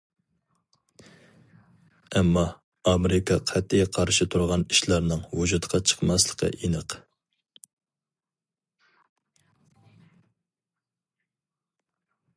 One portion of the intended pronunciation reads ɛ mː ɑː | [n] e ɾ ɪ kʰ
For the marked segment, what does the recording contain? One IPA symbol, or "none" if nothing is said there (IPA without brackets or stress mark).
m